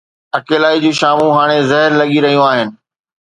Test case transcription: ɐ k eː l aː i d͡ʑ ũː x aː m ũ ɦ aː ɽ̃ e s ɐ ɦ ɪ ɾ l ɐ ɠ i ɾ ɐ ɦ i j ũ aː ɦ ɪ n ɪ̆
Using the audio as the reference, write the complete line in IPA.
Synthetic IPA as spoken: ɐ k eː l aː i d͡ʑ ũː ʃ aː m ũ ɦ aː ɽ̃ e z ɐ ɦ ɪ ɾ l ɐ ɠ i ɾ ɐ ɦ i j ũ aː ɦ ɪ n ɪ̆

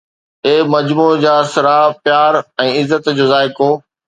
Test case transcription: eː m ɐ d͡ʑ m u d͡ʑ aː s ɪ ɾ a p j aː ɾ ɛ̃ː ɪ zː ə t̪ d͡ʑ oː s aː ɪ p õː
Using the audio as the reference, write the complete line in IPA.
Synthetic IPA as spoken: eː m ɐ d͡ʑ m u d͡ʑ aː s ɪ ɾ a p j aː ɾ ɛ̃ː ɪ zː ə t̪ d͡ʑ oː z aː ɪ k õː

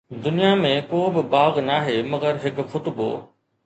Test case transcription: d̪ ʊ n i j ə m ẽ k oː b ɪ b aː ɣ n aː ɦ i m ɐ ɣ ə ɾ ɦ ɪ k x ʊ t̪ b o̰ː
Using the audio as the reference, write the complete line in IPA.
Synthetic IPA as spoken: d̪ ʊ n i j a m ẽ k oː b ɪ b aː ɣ n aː ɦ e m ɐ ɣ ə ɾ ɦ ɪ k x ʊ t̪ b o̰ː

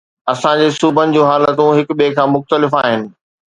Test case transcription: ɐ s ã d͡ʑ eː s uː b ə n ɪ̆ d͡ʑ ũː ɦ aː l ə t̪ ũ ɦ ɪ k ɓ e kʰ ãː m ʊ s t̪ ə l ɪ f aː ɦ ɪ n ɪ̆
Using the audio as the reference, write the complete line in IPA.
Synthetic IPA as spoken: ɐ s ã d͡ʑ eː s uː b ə n ɪ̆ d͡ʑ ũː ɦ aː l ə t̪ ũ ɦ ɪ k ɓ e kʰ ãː m ʊ x t̪ ə l ɪ f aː ɦ ɪ n ɪ̆

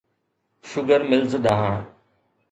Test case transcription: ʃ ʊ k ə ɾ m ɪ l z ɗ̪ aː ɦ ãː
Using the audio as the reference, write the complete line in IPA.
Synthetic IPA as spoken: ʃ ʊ ɡ ə ɾ m ɪ l z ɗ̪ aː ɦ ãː

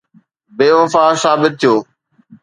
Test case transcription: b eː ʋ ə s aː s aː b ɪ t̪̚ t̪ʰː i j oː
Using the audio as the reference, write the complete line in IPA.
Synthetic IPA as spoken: b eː ʋ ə f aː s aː b ɪ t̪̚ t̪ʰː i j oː

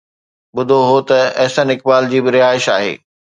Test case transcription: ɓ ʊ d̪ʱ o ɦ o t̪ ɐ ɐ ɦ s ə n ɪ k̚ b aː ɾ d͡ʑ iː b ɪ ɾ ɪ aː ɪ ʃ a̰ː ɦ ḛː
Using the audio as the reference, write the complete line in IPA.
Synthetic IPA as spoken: ɓ ʊ d̪ʱ o ɦ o t̪ ɐ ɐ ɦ s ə n ɪ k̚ b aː l d͡ʑ iː b ɪ ɾ ɪ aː ɪ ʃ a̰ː ɦ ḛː

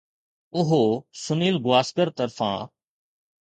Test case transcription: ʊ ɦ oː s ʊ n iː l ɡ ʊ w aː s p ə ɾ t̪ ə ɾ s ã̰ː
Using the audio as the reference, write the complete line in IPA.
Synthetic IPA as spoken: ʊ ɦ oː s ʊ n iː l ɡ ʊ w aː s k ə ɾ t̪ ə ɾ f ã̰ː

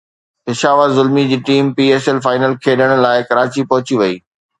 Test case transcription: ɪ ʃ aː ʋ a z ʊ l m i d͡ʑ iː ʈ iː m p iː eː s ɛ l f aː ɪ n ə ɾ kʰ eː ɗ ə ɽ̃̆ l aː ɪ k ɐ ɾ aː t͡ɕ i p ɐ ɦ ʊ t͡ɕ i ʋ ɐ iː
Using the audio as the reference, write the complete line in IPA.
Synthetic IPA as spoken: ɪ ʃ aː ʋ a z ʊ l m i d͡ʑ iː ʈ iː m p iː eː s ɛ l f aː ɪ n ə l kʰ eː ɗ ə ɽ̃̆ l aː ɪ k ɐ ɾ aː t͡ɕ i p ɐ ɦ ʊ t͡ɕ i ʋ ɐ iː

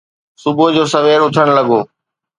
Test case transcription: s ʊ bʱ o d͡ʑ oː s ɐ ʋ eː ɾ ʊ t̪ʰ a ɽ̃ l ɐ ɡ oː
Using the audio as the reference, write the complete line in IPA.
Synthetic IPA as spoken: s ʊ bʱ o d͡ʑ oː s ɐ ʋ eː ɾ ʊ t̪ʰ ə ɽ̃ l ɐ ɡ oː

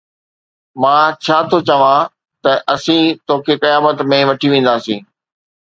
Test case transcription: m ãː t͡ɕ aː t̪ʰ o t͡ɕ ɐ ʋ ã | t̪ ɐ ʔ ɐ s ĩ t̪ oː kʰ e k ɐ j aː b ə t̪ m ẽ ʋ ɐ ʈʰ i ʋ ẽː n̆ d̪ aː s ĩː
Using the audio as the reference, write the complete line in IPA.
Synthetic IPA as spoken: m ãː t͡ɕʰ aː t̪ʰ o t͡ɕ ɐ ʋ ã | t̪ ɐ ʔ ɐ s ĩ t̪ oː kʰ e k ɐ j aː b ə t̪ m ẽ ʋ ɐ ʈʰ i ʋ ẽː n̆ d̪ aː s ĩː

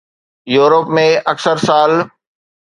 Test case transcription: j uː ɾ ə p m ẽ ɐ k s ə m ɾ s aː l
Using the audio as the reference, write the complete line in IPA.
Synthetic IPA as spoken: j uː ɾ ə p m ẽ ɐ k s ə ɾ s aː l

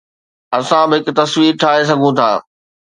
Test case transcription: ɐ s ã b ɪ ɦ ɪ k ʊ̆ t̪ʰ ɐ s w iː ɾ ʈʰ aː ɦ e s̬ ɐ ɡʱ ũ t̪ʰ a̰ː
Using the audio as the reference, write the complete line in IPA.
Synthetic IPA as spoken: ɐ s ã b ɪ ɦ ɪ k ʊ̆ t̪ ɐ s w iː ɾ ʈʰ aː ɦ e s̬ ɐ ɡʱ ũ t̪ʰ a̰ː

